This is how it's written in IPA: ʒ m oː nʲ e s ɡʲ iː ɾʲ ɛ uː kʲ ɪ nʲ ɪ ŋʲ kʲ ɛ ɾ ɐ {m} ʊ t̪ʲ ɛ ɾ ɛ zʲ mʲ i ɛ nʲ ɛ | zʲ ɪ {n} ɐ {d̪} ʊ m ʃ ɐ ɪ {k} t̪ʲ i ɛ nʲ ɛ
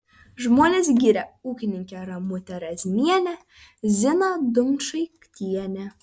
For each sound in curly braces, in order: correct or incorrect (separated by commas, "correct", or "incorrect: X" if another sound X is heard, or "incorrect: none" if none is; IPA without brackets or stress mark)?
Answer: correct, correct, correct, correct